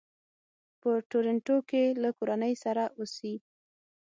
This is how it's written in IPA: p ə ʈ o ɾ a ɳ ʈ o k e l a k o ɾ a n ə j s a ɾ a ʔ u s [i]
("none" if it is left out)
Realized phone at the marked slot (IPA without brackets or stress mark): i